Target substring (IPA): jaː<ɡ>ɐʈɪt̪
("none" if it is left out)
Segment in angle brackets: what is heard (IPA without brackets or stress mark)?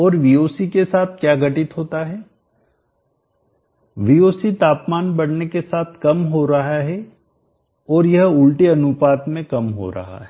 ɡ